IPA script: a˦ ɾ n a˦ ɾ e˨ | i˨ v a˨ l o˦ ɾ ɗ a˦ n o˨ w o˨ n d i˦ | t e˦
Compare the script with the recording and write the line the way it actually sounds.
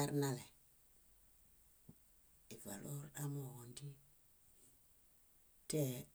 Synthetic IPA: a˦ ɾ n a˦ l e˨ | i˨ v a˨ l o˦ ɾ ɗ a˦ m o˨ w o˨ n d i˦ | t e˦

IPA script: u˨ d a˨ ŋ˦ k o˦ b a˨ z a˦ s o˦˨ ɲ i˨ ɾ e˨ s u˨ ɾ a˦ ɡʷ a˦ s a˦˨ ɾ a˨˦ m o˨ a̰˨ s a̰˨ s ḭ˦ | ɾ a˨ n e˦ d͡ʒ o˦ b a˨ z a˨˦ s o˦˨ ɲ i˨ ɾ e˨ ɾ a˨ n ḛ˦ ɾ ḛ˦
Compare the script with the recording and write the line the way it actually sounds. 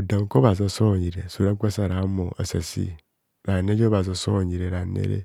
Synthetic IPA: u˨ d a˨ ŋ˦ k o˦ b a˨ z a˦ s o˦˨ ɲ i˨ ɾ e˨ s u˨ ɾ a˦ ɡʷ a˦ s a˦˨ ɾ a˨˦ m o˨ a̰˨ s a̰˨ s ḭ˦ | ɾ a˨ n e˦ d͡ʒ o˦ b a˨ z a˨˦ s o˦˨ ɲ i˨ ɾ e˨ ɾ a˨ n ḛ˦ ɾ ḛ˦

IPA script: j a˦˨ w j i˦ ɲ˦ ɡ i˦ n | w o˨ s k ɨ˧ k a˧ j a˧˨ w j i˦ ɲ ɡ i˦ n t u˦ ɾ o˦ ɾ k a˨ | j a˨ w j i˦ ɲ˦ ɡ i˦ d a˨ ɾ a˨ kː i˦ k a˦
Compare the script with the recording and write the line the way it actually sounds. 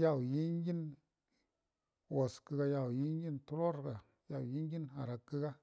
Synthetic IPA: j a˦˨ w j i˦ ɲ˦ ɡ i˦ n | w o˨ s k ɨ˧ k a˧ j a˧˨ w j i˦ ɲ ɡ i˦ n t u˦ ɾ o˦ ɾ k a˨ | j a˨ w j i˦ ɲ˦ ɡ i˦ n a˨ ɾ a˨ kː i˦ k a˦

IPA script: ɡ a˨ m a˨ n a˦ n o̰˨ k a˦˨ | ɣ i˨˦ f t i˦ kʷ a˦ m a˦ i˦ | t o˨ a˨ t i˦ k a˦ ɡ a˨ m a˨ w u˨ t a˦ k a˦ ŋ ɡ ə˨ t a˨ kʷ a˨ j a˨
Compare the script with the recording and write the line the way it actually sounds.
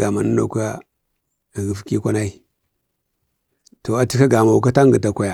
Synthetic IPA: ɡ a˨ m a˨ n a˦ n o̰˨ k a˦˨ | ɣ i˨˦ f k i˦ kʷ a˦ n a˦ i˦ | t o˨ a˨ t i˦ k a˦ ɡ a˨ m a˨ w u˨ k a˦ t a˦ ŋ ɡ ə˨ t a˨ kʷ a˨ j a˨

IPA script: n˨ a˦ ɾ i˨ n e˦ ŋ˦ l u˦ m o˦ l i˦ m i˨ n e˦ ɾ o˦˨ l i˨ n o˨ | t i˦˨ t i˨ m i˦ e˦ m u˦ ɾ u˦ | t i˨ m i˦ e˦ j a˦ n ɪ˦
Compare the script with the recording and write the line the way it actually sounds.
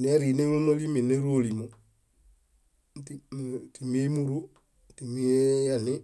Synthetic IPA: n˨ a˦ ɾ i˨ n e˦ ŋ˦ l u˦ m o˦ l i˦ m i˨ n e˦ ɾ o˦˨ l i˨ m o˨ | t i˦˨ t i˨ m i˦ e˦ m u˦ ɾ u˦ | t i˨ m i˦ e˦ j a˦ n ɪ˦

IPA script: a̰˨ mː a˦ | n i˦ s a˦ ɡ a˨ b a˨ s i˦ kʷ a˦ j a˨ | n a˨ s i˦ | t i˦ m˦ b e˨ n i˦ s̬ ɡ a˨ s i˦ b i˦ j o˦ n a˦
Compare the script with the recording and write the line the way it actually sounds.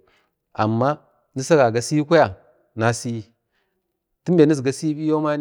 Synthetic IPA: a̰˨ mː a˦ | n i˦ s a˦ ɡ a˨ ɡ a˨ s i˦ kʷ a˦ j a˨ | n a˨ s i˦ | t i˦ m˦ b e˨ n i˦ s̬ ɡ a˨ s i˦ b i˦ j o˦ m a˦

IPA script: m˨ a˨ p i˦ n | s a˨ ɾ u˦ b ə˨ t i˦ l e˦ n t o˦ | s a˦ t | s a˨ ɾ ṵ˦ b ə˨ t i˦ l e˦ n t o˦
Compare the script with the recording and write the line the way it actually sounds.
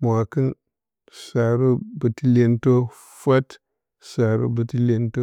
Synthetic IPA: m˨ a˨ k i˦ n | s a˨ ɾ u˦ b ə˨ t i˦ l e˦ n t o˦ | f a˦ t | s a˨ ɾ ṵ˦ b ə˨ t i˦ l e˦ n t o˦

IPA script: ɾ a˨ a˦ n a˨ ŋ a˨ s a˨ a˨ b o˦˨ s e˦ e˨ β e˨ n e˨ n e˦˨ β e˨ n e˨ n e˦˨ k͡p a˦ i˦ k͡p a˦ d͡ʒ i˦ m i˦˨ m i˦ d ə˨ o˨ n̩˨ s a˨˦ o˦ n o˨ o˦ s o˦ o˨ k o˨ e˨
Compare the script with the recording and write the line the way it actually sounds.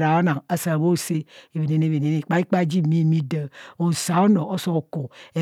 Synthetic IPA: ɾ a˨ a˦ n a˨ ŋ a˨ s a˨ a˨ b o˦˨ s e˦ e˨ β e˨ n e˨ n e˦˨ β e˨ n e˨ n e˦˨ k͡p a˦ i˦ k͡p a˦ d͡ʒ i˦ m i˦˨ m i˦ d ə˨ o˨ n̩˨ s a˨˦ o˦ n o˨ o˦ s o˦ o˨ k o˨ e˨

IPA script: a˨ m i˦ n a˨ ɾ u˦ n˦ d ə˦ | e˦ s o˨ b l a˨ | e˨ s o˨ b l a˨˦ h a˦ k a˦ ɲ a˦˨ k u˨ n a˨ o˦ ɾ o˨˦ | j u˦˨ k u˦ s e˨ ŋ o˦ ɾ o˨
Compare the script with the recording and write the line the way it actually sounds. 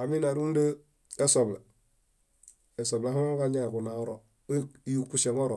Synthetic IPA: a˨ m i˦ n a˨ ɾ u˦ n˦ d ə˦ | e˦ s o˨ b l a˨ | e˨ s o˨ b l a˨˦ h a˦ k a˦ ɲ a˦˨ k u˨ n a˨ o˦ ɾ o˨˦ | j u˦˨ k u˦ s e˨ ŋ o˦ ɾ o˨

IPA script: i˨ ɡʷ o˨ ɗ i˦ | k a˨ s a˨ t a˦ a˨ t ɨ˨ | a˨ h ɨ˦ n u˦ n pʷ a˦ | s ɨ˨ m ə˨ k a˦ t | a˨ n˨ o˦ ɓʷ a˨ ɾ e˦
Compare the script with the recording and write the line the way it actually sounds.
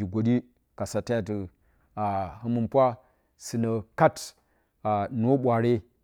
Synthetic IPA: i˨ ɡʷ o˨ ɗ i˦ | k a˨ s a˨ t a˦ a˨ t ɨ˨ | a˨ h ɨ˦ m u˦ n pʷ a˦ | s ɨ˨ n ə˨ k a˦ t | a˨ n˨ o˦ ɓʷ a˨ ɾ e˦

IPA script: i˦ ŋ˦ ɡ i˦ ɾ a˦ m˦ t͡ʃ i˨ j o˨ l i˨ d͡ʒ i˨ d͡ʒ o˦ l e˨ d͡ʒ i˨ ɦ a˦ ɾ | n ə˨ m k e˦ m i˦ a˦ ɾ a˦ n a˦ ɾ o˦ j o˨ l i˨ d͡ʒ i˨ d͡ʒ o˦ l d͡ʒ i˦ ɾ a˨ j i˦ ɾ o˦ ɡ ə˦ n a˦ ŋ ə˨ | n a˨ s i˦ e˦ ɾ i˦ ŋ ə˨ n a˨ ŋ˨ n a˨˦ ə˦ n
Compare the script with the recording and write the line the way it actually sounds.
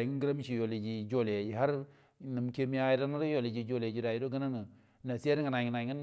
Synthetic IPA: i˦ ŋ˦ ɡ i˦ ɾ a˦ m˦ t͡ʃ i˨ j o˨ l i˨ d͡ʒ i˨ d͡ʒ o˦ l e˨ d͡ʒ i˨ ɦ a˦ ɾ | n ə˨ m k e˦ m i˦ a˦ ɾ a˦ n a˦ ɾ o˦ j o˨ l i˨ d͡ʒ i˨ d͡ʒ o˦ l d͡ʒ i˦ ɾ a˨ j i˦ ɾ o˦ ɡ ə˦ n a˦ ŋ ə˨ | n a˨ s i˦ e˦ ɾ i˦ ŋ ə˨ n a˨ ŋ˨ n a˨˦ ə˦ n

